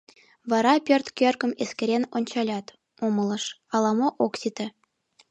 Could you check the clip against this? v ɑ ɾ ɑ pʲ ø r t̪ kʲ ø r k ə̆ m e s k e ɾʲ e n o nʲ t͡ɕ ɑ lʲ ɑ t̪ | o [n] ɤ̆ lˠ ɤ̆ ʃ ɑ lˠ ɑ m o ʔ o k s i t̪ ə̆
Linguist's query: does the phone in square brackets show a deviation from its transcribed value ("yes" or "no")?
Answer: yes